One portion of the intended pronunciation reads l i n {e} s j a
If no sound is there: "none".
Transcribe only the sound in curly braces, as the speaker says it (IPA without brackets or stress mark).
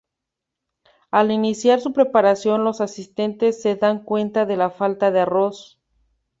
i